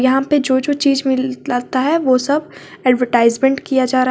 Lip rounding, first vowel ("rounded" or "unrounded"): unrounded